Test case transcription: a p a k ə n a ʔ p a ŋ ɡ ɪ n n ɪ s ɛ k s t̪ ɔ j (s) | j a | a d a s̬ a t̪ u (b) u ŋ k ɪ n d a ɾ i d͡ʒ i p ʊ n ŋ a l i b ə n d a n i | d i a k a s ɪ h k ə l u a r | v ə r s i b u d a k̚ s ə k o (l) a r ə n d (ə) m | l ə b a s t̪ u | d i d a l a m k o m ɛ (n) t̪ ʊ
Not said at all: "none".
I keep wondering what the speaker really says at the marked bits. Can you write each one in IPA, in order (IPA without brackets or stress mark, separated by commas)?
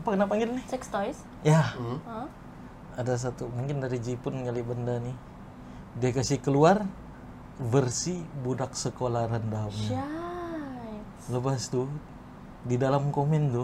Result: s, m, l, a, n